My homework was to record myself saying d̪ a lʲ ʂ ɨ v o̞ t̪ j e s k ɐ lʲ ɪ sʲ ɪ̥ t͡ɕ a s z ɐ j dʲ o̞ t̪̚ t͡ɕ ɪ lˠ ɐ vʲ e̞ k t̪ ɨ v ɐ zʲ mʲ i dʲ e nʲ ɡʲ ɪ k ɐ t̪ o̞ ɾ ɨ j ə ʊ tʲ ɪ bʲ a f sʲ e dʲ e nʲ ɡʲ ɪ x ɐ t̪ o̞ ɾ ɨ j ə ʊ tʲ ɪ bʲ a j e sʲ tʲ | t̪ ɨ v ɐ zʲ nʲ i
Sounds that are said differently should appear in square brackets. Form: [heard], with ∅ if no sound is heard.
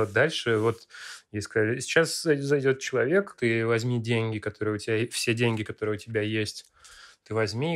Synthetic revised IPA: d̪ a lʲ ʂ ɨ v o̞ t̪ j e s k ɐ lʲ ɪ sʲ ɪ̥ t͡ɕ a s z ɐ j dʲ o̞ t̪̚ t͡ɕ ɪ lˠ ɐ vʲ e̞ k t̪ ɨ v ɐ zʲ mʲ i dʲ e nʲ ɡʲ ɪ k ɐ t̪ o̞ ɾ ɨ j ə ʊ tʲ ɪ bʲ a f sʲ e dʲ e nʲ ɡʲ ɪ [k] ɐ t̪ o̞ ɾ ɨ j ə ʊ tʲ ɪ bʲ a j e sʲ tʲ | t̪ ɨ v ɐ zʲ [mʲ] i

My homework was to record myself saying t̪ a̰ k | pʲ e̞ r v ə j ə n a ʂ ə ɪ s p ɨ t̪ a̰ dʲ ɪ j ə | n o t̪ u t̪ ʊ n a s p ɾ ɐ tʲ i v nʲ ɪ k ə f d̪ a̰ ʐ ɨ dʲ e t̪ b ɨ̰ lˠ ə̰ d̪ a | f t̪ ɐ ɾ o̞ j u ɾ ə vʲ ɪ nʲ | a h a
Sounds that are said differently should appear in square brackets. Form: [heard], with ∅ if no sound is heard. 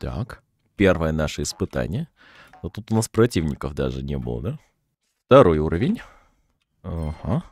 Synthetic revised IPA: t̪ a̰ k | pʲ e̞ r v ə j ə n a ʂ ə ɪ s p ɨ t̪ a̰ [nʲ] ɪ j ə | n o t̪ u t̪ ʊ n a s p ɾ ɐ tʲ i v nʲ ɪ k ə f d̪ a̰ ʐ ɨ [nʲ] e [∅] b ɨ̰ lˠ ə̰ d̪ a | f t̪ ɐ ɾ o̞ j u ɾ ə vʲ ɪ nʲ | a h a

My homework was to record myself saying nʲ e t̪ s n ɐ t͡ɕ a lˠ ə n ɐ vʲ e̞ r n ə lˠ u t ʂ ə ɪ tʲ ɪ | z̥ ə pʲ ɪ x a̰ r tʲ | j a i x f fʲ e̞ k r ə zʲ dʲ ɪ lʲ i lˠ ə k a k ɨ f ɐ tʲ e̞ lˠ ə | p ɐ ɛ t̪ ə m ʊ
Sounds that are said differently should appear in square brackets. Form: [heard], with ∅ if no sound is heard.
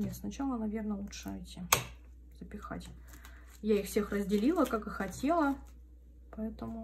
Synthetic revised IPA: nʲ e t̪ s n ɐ t͡ɕ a lˠ ə n ɐ vʲ e̞ r n ə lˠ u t ʂ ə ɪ tʲ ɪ | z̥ ə pʲ ɪ x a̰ [∅] tʲ | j a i x f [sʲ] e̞ [x] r ə zʲ dʲ ɪ lʲ i lˠ ə k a k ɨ [x] ɐ tʲ e̞ lˠ ə | p ɐ ɛ t̪ ə m ʊ

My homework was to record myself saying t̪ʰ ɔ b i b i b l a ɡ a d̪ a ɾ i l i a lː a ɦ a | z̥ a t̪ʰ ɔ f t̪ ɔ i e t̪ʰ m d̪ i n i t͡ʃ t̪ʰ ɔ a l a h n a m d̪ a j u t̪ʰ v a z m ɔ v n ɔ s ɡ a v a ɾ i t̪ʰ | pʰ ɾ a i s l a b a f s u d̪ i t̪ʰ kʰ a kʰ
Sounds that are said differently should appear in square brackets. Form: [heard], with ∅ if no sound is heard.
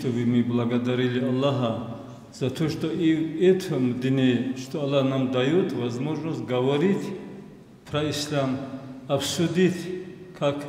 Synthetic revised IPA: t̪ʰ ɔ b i [m] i b l a ɡ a d̪ a ɾ i l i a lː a ɦ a | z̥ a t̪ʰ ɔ [ʃ] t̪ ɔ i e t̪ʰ m d̪ i n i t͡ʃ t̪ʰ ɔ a l a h n a m d̪ a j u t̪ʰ v a z m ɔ [ʒ] n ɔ s ɡ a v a ɾ i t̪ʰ | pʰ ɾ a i s l a [m] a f s u d̪ i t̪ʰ kʰ a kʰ

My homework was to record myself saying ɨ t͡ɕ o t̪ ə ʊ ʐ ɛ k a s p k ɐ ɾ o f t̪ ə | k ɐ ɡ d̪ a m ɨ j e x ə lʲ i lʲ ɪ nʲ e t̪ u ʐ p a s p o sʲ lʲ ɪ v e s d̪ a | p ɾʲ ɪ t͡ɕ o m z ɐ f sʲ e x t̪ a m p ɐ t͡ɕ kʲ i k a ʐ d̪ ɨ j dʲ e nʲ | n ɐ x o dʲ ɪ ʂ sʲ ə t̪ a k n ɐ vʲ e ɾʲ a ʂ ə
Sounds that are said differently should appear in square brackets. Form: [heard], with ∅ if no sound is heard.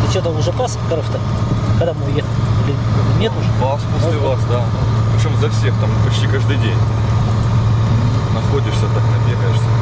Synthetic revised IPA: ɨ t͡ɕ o t̪ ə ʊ ʐ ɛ [p] a s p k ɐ ɾ o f t̪ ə | k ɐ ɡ d̪ a m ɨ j e x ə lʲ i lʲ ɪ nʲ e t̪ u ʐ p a s p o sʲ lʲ ɪ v [a] s d̪ a | p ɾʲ ɪ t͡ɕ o m z ɐ f sʲ e x t̪ a m p ɐ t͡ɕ [tʲ] i k a ʐ d̪ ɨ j dʲ e nʲ | n ɐ x o dʲ ɪ ʂ sʲ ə t̪ a k n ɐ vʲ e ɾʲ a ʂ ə

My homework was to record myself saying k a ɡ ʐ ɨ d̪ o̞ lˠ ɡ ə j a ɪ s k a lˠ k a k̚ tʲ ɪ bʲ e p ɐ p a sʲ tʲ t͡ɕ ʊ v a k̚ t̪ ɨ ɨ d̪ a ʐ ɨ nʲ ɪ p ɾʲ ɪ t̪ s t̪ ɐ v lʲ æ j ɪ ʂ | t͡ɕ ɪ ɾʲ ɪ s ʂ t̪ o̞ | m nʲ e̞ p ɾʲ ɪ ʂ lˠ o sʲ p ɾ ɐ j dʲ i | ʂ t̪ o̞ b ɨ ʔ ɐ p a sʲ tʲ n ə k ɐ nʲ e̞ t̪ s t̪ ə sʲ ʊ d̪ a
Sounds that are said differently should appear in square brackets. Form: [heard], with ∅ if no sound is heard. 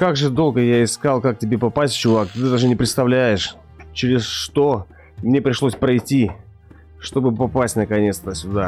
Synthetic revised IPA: k a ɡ ʐ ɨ d̪ o̞ lˠ ɡ ə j a ɪ s k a lˠ k a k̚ tʲ ɪ bʲ e p ɐ p a sʲ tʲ t͡ɕ ʊ v a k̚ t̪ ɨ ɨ d̪ a ʐ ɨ nʲ ɪ p ɾʲ ɪ t̪ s t̪ ɐ v lʲ æ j ɪ ʂ | t͡ɕ ɪ ɾʲ ɪ s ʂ t̪ o̞ | m nʲ e̞ p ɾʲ ɪ ʂ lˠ o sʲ p ɾ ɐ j [tʲ] i | ʂ t̪ o̞ b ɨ [p] ɐ p a sʲ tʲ n ə k ɐ nʲ e̞ t̪ s t̪ ə sʲ ʊ d̪ a

